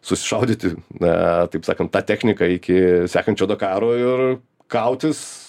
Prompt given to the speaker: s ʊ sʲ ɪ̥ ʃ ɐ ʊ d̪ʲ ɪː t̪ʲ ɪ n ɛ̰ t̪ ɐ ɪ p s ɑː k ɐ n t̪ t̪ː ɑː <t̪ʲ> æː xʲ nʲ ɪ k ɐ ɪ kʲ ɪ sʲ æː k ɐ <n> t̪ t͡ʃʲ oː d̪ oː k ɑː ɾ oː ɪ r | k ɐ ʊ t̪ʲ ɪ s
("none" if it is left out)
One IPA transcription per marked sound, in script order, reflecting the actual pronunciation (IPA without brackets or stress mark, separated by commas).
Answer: t̪ʲ, n